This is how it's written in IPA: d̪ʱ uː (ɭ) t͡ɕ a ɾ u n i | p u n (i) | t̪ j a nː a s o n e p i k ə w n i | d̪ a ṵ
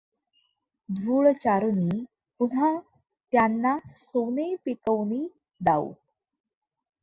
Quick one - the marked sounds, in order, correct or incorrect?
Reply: correct, incorrect

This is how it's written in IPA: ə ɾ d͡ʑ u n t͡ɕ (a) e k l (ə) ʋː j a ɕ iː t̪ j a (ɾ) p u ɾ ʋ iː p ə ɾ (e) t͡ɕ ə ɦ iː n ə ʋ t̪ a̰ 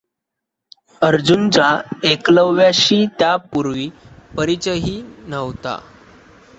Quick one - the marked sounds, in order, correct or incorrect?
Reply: correct, correct, incorrect, incorrect

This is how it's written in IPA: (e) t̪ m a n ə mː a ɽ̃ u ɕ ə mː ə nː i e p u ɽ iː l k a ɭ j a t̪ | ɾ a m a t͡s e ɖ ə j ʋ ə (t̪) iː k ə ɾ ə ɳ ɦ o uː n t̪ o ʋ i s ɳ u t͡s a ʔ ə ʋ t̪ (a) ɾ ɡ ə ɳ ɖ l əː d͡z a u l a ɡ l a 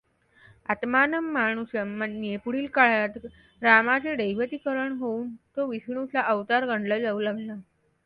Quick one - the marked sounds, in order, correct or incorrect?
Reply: incorrect, correct, correct

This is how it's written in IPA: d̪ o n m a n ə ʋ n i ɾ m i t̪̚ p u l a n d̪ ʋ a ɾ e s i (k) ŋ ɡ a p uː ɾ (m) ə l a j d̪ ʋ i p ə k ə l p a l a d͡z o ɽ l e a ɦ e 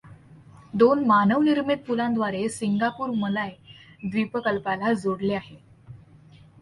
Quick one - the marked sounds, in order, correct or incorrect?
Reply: incorrect, correct

